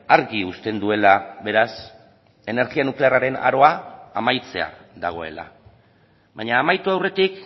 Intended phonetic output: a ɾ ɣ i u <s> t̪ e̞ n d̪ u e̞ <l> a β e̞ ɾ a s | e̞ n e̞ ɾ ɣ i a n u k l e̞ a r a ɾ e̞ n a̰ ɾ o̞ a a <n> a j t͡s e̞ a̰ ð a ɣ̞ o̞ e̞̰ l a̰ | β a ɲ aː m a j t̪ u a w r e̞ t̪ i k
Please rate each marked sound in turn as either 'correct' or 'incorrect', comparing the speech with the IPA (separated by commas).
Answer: correct, correct, incorrect